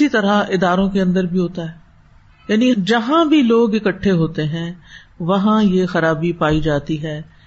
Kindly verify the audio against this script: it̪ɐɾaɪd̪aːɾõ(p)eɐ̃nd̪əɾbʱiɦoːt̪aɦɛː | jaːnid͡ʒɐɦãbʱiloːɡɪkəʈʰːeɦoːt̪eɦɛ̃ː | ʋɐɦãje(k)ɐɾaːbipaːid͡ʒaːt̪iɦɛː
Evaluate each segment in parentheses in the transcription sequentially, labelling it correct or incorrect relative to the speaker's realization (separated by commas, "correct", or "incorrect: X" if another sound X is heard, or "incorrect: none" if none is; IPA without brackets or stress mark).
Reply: incorrect: k, incorrect: x